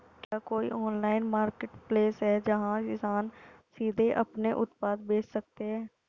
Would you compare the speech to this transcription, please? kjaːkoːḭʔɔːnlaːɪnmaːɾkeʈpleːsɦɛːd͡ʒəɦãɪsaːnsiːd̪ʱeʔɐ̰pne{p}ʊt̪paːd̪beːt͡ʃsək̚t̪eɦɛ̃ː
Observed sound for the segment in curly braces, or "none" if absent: ʔ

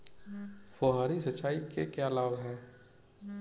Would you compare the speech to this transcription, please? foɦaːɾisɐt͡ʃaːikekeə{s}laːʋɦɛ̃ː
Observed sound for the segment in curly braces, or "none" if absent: none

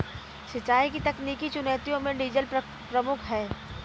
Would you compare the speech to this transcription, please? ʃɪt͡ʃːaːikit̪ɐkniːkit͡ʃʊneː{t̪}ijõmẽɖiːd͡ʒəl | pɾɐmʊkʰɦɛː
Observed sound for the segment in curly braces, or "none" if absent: t̪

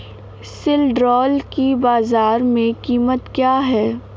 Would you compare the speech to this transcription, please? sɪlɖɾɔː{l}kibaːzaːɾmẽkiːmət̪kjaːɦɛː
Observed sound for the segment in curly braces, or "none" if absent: l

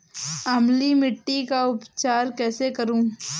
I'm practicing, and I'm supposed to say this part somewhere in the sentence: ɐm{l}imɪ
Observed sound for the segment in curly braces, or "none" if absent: l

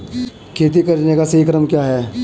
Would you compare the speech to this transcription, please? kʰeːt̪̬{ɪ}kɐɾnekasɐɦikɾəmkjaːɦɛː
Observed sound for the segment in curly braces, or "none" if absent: i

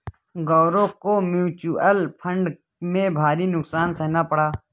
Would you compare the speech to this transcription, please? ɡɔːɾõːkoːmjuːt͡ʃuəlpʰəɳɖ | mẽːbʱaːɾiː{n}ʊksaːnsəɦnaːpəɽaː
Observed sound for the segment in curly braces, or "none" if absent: n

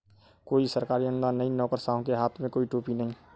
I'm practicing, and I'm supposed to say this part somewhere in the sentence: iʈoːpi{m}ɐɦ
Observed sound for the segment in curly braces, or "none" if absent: n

